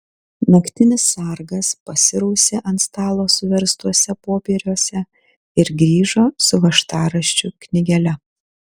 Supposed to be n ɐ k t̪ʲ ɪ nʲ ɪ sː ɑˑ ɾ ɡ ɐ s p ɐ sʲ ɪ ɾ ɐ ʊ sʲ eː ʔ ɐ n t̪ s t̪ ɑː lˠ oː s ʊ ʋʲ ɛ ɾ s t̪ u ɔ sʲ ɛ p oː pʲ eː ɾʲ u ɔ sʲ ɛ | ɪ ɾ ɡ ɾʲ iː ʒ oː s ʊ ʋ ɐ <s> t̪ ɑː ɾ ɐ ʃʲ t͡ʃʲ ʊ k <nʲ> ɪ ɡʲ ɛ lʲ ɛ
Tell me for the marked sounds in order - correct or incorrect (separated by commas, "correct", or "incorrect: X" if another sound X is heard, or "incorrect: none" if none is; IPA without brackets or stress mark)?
incorrect: ʃ, correct